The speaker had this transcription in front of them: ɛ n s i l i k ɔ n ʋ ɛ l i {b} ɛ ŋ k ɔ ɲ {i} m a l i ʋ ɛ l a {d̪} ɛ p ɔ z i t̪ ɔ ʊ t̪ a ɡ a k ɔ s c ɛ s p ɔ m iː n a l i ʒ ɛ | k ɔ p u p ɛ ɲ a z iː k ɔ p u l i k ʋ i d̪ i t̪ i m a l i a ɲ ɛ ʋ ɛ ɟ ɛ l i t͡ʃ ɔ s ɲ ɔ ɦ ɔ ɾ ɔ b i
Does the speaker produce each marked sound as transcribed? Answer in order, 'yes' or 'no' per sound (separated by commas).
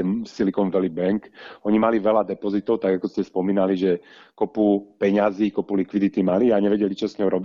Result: yes, yes, yes